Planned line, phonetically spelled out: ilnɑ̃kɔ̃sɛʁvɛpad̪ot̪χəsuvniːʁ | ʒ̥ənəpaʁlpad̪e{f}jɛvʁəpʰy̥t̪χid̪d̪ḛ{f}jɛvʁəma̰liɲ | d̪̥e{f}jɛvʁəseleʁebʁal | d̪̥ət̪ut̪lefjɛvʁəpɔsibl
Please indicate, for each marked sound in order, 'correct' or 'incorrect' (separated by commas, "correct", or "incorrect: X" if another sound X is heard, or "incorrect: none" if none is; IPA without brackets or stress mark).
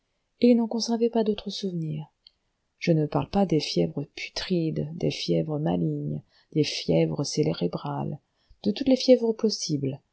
correct, correct, correct